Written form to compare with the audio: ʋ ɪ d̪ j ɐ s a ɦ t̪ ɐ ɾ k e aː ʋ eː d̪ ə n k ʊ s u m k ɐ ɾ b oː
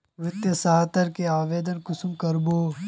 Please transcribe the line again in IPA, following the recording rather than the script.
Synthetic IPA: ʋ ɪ t̪ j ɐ s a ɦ t̪ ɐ ɾ k e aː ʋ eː d̪ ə n k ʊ s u m k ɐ ɾ b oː